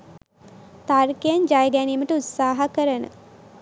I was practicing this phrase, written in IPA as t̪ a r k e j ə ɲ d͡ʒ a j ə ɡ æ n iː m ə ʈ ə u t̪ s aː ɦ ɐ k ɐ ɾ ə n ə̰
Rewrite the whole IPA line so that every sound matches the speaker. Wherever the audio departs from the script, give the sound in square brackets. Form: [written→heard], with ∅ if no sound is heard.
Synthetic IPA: t̪ a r k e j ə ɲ d͡ʒ a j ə ɡ æ n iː m ə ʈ ə u t̪ s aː ɦ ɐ k [ɐ→ə] ɾ ə n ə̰